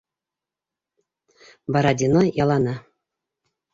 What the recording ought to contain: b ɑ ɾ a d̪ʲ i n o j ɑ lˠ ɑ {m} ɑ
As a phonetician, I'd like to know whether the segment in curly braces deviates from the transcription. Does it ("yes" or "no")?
yes